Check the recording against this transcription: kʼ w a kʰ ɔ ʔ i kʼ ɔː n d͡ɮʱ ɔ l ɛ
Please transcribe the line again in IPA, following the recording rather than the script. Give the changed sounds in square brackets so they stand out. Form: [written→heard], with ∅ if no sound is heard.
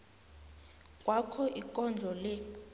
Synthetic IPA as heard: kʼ w a kʰ ɔ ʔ i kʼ [ɔː→ɔ] n d͡ɮʱ ɔ l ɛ